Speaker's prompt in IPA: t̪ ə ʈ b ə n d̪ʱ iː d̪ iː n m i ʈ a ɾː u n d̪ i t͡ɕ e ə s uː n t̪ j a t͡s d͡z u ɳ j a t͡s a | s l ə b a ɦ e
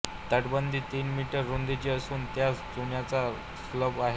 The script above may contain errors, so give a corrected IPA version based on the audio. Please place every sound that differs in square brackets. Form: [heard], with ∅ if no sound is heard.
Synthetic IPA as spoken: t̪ ə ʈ b ə n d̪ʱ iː [t̪] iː n m i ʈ [ə] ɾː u n d̪ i t͡ɕ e ə s uː n t̪ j a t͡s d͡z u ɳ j a t͡s a | s l ə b a ɦ e